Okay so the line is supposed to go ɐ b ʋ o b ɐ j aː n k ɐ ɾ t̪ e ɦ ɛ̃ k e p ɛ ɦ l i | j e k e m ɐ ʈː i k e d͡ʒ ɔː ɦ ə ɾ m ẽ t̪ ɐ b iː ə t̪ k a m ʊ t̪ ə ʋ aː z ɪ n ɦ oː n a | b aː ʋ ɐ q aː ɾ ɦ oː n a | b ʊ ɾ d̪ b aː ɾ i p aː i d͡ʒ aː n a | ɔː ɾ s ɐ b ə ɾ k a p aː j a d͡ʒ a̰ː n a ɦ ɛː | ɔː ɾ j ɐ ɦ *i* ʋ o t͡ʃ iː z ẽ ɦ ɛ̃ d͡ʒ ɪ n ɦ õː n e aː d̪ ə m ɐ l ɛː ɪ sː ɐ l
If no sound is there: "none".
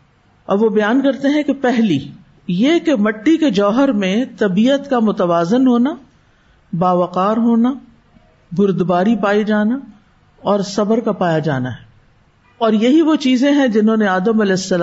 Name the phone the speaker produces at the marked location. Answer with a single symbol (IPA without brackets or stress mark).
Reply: i